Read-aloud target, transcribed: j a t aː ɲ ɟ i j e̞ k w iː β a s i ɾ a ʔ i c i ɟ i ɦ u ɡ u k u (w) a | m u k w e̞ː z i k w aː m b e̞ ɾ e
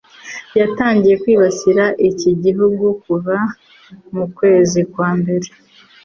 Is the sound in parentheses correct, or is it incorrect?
incorrect